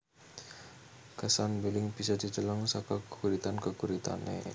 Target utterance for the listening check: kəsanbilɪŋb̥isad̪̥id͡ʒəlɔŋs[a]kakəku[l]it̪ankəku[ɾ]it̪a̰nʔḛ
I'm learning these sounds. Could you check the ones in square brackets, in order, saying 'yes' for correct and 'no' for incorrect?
yes, no, yes

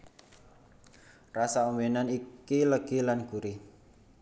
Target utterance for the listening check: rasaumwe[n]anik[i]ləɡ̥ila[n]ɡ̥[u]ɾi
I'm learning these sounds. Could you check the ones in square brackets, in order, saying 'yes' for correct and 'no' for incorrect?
yes, yes, yes, yes

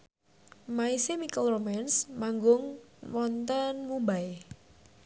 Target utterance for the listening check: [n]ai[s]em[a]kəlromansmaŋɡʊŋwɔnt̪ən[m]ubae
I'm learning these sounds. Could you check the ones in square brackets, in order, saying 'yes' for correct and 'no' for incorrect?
no, yes, no, yes

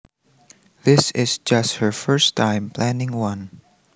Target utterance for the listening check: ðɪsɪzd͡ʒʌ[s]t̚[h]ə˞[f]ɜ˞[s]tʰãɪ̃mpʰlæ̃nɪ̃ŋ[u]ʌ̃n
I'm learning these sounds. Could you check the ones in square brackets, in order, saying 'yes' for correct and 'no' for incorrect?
yes, yes, yes, yes, no

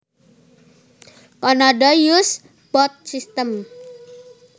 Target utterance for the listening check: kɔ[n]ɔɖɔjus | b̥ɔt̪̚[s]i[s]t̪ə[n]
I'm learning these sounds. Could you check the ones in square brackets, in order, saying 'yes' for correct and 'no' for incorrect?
yes, yes, yes, no

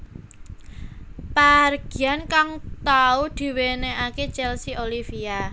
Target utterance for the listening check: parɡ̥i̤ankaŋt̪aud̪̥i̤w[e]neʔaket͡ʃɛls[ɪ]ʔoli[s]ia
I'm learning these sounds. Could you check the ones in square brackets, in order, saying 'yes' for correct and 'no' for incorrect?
yes, no, no

